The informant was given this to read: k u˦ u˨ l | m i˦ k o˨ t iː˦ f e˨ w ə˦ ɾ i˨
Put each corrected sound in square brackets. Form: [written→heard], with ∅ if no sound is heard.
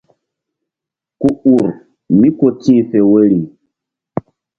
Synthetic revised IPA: k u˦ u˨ [l→ɾ] | m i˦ k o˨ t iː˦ f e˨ w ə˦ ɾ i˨